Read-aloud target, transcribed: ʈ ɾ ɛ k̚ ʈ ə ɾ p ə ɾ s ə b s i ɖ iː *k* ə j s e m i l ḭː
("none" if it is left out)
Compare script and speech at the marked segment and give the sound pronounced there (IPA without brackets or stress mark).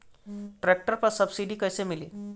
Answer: k